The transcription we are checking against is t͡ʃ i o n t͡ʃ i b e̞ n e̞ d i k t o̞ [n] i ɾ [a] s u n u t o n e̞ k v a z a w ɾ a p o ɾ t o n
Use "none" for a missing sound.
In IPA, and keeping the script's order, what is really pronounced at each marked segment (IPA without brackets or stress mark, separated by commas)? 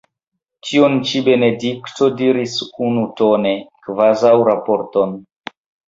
d, i